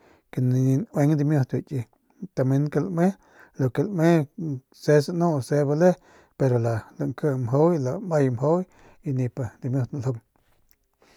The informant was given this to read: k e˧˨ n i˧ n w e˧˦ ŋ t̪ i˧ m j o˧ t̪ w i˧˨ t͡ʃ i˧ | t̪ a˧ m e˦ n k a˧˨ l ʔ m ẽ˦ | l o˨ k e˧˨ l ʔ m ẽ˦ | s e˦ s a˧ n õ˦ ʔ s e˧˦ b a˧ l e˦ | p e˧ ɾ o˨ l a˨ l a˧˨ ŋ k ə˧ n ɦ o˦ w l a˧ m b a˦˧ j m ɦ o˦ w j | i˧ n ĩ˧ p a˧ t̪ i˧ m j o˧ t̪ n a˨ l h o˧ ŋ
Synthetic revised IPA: k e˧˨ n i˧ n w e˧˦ ŋ d̪ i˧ m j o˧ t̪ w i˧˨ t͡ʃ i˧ | t̪ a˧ m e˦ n k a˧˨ l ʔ m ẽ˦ | l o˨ k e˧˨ l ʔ m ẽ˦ | s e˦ s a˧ n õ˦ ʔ s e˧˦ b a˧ l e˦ | p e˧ ɾ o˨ l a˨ l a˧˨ ŋ k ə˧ m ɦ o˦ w l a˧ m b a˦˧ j m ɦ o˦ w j | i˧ n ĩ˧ p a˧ d̪ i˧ m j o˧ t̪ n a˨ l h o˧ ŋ